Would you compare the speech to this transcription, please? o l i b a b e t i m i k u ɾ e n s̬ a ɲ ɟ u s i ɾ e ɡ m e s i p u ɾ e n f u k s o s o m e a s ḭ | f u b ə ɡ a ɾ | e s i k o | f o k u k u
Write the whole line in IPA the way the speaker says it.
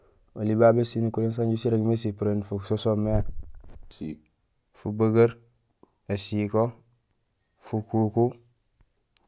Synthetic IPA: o l i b a b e s i n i k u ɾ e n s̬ a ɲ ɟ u s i ɾ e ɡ m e s i p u ɾ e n f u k s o s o m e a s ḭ | f u b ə ɡ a ɾ | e s i k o | f u k u k u

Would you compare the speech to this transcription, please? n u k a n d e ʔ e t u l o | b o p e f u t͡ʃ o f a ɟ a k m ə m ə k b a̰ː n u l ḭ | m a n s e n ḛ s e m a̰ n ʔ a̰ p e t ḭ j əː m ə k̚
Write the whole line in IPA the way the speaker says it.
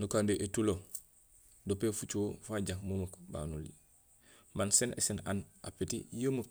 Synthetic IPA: n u k a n d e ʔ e t u l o | d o p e f u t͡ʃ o f a ɟ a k m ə m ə k b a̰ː n u l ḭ | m a n s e n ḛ s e n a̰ n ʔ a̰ p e t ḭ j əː m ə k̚

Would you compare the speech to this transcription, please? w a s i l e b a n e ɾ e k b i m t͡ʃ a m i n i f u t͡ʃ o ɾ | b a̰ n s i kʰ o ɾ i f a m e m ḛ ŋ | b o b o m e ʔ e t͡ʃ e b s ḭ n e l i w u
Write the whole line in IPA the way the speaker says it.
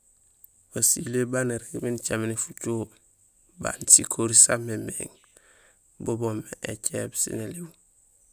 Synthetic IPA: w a s i l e b a n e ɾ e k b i n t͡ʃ a m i n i f u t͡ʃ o | b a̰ n s i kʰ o ɾ i s a m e m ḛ ŋ | b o b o m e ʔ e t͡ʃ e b s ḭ n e l i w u

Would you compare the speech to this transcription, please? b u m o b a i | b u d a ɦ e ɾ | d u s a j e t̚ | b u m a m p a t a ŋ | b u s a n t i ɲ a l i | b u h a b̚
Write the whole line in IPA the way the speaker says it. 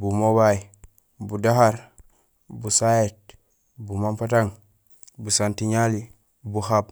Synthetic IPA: b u m o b a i | b u d a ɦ a ɾ | b u s a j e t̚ | b u m a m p a t a ŋ | b u s a n t i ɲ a l i | b u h a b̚

